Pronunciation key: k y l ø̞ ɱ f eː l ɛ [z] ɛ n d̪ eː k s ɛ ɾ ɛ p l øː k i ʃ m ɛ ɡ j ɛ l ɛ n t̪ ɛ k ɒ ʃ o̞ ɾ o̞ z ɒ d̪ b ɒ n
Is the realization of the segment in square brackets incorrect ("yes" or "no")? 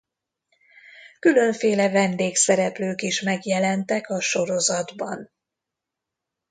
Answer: yes